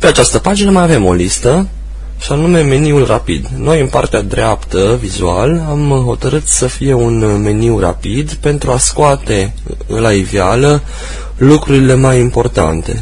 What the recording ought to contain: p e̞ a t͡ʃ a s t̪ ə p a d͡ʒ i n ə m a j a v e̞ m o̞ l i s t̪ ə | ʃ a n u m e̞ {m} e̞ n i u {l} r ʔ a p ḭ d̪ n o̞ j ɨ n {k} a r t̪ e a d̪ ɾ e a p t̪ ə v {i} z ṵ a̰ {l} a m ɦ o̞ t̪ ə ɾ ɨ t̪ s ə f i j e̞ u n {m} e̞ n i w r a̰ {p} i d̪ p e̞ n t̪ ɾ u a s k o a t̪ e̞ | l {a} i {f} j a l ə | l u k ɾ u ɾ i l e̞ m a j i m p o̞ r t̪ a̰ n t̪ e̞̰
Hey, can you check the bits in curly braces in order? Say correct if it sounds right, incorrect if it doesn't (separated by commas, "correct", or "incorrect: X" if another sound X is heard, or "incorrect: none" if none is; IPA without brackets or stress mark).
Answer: correct, correct, incorrect: p, correct, correct, correct, correct, correct, incorrect: v